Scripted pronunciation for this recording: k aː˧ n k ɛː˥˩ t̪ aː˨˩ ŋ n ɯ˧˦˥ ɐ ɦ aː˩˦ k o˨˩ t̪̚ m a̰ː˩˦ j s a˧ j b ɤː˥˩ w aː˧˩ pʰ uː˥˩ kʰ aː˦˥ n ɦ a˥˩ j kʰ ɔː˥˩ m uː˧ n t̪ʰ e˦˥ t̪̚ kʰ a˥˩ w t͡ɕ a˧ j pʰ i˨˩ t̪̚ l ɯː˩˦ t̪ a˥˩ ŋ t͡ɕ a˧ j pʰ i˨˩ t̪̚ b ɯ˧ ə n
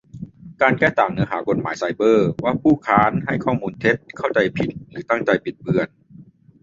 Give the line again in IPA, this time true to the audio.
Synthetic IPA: k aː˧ n k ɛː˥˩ t̪ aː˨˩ ŋ n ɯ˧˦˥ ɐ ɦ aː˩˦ k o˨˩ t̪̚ m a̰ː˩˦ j s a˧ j b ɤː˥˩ w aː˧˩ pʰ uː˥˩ kʰ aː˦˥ n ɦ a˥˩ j kʰ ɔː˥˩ m uː˧ n t̪ʰ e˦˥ t̪̚ kʰ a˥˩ w t͡ɕ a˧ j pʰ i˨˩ t̪̚ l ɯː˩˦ t̪ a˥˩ ŋ t͡ɕ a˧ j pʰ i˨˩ t̪̚ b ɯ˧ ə n

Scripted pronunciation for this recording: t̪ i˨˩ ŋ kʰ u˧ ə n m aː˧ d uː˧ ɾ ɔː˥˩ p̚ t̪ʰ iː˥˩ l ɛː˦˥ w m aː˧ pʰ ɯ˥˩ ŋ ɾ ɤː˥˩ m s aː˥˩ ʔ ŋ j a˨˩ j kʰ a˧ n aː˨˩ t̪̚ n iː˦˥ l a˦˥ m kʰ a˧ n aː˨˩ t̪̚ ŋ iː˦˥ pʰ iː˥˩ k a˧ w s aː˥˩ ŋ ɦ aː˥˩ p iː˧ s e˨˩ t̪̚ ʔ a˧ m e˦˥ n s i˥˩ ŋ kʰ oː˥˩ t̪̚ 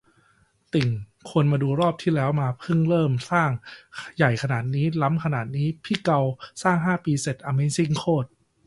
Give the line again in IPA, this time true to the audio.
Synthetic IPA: t̪ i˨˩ ŋ kʰ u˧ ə n m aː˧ d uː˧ ɾ ɔː˥˩ p̚ t̪ʰ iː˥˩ l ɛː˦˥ w m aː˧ pʰ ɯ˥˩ ŋ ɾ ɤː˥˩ m s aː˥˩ ŋ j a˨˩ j kʰ a˧ n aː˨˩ t̪̚ n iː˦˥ l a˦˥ m kʰ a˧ n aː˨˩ t̪̚ n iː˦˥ pʰ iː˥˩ k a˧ w s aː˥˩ ŋ ɦ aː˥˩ p iː˧ s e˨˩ t̪̚ ʔ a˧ m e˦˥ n s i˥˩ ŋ kʰ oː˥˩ t̪̚

